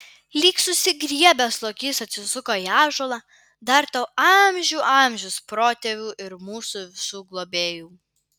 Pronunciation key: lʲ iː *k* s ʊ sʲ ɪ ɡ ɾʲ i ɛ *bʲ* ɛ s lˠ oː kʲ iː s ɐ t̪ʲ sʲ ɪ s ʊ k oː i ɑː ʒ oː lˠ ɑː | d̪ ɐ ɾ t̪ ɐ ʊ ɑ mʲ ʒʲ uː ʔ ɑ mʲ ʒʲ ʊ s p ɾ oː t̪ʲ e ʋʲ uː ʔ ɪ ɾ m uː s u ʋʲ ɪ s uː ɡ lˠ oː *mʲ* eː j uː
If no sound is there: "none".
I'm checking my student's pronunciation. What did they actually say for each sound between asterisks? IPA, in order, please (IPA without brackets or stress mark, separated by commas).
k, bʲ, bʲ